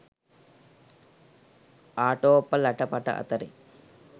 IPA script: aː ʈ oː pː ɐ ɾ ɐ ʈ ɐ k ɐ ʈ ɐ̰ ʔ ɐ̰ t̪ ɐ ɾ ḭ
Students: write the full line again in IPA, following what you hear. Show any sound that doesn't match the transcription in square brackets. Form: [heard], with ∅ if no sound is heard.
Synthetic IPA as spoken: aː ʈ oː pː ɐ [l] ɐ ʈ ɐ [p] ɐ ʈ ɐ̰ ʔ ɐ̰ t̪ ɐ ɾ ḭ